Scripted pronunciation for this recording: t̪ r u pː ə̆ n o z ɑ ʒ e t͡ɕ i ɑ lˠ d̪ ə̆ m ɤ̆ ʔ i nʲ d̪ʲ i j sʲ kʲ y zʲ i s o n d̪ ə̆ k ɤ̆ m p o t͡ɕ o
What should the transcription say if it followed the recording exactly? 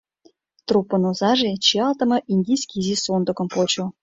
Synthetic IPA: t̪ r u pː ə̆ n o z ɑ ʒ e t͡ɕ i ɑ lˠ t̪ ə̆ m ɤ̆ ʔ i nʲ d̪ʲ i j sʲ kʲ i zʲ i s o n d̪ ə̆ k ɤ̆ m p o t͡ɕ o